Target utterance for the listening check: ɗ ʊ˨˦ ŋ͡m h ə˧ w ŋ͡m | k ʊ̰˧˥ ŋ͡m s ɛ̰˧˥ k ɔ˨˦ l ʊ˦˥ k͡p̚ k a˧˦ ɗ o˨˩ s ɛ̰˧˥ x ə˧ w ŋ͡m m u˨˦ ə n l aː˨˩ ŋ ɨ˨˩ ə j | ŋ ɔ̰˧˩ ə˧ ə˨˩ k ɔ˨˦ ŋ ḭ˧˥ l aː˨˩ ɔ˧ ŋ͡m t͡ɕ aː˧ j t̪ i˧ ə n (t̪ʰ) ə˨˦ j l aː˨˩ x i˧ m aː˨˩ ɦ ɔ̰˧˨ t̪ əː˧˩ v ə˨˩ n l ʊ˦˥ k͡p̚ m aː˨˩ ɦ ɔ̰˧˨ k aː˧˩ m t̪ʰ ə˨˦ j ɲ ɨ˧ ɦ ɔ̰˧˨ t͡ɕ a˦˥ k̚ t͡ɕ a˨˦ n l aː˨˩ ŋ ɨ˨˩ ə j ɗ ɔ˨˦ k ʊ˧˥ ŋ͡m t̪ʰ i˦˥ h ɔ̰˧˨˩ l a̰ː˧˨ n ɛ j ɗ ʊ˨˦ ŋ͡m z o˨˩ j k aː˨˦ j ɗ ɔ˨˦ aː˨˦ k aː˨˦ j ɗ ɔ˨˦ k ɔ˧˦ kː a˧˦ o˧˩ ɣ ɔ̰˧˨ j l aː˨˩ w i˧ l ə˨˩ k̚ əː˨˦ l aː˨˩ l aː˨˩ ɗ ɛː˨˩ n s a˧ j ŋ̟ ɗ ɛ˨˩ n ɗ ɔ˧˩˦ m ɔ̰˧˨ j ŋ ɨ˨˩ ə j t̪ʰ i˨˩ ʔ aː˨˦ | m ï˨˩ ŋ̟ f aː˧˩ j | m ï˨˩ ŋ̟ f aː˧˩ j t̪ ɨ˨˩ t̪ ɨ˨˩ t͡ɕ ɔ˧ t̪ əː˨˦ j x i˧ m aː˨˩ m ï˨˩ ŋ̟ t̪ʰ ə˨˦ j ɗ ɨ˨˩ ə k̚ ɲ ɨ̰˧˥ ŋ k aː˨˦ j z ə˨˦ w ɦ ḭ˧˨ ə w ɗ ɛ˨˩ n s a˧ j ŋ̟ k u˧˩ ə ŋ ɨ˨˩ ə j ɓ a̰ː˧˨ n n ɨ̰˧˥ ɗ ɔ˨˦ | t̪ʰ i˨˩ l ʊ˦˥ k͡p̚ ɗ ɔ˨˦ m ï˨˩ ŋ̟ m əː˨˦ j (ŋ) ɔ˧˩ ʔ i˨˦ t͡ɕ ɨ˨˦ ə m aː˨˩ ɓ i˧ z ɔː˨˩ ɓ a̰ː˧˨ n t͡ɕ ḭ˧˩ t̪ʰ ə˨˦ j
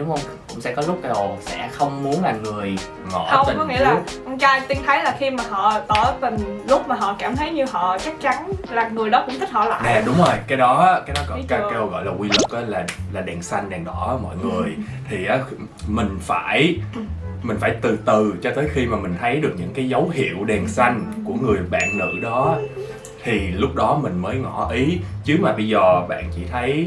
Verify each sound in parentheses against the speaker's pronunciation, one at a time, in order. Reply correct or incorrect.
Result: correct, correct

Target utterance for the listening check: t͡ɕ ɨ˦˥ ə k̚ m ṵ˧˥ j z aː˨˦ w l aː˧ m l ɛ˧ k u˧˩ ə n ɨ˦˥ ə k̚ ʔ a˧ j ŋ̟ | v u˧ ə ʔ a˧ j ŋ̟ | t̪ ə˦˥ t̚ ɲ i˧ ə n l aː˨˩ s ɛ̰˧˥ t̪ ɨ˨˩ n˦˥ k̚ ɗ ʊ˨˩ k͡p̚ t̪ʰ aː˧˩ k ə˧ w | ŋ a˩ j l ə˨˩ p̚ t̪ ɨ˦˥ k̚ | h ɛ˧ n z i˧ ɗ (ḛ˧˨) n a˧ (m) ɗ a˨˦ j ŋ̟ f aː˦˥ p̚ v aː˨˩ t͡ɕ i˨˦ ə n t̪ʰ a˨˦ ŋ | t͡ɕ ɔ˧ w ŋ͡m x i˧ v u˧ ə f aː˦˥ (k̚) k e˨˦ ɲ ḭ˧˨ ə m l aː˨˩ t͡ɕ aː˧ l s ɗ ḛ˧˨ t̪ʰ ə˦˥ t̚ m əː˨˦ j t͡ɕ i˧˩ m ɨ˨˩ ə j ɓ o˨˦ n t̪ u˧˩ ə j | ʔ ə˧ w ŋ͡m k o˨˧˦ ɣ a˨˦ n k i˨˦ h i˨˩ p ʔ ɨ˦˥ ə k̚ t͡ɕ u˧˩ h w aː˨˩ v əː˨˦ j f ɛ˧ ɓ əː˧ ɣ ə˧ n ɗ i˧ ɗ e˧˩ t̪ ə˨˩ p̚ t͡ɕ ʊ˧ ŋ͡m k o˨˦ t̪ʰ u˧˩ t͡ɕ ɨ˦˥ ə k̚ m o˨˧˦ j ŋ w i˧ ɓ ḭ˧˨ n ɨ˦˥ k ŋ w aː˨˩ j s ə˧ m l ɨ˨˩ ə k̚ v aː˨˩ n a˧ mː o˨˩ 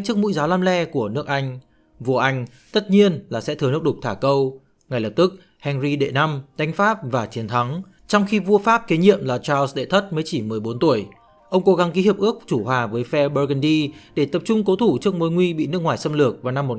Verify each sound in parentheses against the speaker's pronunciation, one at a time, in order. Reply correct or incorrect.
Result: correct, correct, incorrect: p̚

